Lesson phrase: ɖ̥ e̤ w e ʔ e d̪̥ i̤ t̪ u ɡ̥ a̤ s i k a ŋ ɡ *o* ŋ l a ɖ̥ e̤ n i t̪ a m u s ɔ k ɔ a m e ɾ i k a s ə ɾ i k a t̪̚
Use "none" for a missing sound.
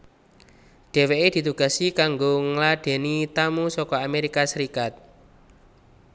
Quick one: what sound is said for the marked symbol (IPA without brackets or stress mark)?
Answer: o